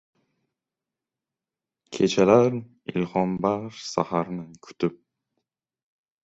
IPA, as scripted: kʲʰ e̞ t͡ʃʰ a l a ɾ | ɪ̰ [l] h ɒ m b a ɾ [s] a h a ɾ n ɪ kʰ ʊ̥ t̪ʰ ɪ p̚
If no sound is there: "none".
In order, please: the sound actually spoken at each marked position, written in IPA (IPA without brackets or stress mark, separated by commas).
l, s